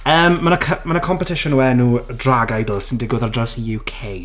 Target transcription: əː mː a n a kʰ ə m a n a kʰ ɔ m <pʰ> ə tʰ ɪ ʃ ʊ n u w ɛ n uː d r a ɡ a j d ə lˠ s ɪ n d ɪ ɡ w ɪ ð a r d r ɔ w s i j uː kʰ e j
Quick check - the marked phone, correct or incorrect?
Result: incorrect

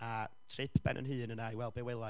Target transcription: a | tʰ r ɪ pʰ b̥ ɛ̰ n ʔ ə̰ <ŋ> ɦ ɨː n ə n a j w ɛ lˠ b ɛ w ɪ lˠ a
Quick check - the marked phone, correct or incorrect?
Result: incorrect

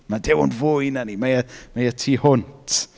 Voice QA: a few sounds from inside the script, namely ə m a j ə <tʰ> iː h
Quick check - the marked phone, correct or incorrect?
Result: correct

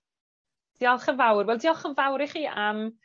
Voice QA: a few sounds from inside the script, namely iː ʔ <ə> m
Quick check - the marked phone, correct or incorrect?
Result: incorrect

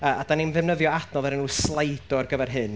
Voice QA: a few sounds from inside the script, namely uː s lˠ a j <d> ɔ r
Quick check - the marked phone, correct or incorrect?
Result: correct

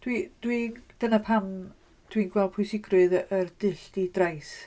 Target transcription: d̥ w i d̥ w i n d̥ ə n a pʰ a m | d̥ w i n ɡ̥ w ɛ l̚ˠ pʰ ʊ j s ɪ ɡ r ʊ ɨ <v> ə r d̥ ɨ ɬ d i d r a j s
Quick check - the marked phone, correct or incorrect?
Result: incorrect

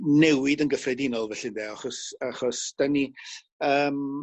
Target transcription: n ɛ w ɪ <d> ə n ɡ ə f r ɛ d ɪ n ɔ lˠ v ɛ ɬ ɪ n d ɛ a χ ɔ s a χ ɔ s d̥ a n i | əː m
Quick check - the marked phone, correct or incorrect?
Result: correct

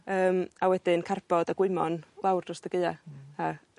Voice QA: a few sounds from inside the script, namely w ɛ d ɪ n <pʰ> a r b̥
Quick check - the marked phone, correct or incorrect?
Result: incorrect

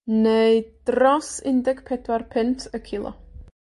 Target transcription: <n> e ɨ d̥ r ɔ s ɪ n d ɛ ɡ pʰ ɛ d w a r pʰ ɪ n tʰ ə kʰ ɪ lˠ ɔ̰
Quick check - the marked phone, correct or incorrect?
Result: correct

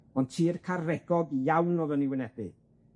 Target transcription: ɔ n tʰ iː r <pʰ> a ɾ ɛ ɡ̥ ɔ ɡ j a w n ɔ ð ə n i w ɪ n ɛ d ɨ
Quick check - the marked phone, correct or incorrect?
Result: incorrect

